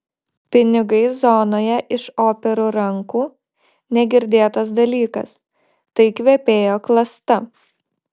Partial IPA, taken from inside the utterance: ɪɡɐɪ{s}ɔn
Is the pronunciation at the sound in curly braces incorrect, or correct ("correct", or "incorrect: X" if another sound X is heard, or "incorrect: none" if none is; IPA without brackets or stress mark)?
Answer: incorrect: z